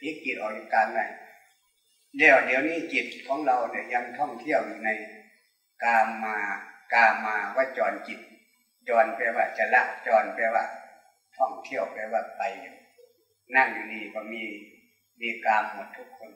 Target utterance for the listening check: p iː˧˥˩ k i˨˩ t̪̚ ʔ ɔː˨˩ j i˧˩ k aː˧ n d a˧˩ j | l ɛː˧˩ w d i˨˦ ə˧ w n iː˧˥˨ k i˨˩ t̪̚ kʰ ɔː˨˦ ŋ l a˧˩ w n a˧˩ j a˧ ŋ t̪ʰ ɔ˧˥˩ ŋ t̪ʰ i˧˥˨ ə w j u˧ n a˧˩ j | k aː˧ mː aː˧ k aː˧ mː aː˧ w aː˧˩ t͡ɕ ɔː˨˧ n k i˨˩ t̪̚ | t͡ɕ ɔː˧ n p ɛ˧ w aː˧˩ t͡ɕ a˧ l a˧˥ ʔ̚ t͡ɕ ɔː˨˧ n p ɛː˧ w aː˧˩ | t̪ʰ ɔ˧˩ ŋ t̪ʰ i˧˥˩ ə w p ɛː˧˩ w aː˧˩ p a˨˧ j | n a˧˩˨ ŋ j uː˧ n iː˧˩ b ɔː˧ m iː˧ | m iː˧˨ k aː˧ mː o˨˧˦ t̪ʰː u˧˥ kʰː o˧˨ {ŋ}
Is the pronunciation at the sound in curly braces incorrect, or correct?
incorrect